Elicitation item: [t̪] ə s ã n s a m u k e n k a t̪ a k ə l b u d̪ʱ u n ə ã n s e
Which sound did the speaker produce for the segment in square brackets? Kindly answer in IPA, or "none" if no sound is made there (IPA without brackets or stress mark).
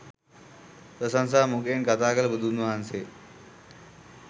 t̪